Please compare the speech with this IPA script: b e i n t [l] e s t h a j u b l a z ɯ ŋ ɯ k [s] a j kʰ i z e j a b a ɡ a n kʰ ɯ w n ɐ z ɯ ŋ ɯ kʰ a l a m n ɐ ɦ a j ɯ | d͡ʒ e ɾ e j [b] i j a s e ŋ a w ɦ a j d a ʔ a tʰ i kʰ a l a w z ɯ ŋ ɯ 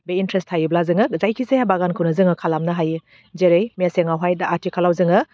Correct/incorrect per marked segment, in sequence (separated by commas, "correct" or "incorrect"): incorrect, incorrect, incorrect